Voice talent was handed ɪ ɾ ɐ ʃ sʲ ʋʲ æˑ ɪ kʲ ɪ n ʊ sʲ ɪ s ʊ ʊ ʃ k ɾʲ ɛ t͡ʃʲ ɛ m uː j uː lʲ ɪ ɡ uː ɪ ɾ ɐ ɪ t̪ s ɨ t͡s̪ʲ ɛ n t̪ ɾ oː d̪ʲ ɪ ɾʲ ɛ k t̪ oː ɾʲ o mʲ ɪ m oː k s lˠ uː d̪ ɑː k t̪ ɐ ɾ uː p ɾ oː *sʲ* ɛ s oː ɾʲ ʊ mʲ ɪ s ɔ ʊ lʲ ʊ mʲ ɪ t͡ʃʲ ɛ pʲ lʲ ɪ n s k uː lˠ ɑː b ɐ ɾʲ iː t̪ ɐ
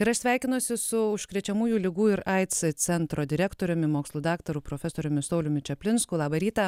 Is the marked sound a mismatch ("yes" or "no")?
yes